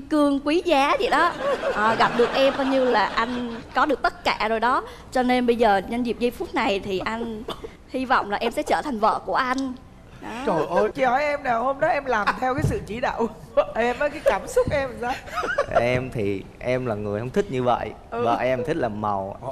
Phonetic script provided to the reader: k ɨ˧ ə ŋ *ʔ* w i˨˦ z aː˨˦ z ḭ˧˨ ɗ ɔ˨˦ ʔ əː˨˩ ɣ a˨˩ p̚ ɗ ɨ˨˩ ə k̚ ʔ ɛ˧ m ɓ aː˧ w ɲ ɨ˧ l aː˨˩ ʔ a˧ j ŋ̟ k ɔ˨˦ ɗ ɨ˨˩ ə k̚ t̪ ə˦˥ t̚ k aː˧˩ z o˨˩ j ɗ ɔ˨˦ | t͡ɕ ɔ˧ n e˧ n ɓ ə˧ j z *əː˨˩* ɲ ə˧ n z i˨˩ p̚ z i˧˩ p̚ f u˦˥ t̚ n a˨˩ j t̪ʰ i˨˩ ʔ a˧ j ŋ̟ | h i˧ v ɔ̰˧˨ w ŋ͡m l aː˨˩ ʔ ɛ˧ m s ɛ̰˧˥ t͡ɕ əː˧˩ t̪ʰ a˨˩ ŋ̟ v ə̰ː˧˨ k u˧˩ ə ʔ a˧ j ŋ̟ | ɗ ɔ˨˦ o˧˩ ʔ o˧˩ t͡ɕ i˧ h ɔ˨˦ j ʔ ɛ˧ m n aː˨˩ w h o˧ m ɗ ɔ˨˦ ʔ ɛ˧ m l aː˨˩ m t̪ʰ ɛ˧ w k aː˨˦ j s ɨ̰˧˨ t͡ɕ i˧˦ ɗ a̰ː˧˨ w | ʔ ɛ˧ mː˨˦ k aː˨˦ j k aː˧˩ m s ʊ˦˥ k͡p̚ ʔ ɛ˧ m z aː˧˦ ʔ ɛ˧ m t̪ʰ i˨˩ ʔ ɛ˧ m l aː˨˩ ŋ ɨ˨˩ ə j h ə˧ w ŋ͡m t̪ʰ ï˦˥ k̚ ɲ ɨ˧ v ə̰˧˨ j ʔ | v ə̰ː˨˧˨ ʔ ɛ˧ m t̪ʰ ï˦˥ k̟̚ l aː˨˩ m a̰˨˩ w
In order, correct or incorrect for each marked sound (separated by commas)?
incorrect, correct